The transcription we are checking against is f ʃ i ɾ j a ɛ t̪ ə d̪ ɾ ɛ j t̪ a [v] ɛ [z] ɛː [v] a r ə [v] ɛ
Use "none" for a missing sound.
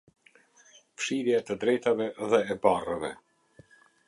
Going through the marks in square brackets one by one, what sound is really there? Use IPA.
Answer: v, ð, b, v

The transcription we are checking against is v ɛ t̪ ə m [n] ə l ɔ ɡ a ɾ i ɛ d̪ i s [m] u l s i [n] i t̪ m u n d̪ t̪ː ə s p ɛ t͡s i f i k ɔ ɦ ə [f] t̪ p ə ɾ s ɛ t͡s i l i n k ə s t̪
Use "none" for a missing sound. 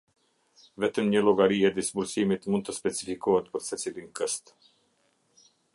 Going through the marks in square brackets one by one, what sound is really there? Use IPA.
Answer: ɲ, b, m, none

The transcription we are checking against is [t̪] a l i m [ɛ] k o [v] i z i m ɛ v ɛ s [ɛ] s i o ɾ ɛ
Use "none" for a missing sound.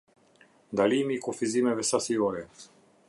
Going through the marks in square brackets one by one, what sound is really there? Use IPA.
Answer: d̪, i, f, a

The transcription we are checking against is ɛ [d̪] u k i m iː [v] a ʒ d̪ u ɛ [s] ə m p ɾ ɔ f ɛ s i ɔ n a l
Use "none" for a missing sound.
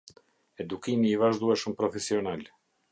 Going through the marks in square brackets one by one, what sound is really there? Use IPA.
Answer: d̪, v, ʃ

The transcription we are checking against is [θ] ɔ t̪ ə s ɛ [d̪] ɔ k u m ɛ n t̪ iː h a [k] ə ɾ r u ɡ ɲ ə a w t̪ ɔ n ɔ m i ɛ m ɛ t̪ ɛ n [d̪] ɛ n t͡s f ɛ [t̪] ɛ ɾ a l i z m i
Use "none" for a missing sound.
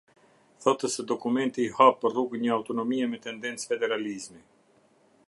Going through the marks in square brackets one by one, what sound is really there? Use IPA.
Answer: θ, d̪, p, d̪, d̪

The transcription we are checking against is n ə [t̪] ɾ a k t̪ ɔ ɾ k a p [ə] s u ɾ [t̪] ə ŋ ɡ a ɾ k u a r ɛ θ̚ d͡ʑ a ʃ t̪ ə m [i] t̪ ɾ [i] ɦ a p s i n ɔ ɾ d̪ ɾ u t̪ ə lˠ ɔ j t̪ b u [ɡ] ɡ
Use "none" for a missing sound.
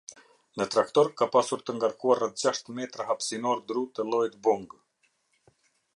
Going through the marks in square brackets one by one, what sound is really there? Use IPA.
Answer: t̪, a, t̪, ɛ, a, ŋ

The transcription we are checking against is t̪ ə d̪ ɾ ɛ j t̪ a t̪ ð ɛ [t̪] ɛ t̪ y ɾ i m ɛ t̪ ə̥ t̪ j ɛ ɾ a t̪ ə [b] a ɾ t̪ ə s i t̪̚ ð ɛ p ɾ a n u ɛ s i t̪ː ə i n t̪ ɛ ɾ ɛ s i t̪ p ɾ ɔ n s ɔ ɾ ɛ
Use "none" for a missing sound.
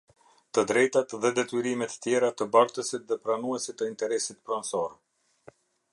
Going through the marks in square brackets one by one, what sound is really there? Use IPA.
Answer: d̪, b

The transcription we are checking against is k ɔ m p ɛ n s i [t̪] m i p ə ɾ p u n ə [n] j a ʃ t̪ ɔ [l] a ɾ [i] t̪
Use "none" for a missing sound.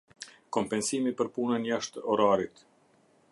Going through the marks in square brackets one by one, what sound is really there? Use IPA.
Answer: none, n, ɾ, i

